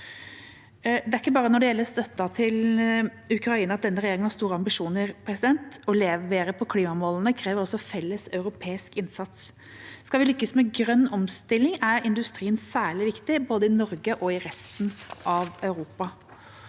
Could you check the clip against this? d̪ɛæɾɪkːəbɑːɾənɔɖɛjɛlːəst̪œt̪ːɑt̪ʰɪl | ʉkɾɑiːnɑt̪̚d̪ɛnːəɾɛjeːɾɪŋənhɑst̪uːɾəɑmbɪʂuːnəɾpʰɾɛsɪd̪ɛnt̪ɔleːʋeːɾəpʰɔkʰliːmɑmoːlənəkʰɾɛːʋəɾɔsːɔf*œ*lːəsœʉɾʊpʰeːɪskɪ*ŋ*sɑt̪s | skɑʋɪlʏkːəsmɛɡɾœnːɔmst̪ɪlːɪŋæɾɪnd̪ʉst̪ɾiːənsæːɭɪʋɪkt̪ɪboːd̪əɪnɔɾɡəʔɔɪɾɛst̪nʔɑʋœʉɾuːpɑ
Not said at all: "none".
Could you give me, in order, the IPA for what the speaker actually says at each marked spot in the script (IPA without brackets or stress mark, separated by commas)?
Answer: ɛ, n